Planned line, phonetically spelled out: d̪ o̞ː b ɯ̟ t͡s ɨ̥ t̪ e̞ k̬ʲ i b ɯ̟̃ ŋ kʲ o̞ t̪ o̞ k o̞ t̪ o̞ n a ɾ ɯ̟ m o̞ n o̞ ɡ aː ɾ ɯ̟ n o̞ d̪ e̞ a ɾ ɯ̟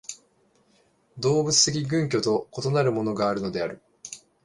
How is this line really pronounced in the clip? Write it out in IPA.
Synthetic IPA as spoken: d̪ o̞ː b ɯ̟ t͡s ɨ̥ t̪ e̞ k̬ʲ i ɡ ɯ̟̃ ŋ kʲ o̞ t̪ o̞ k o̞ t̪ o̞ n a ɾ ɯ̟ m o̞ n o̞ ɡ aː ɾ ɯ̟ n o̞ d̪ e̞ a ɾ ɯ̟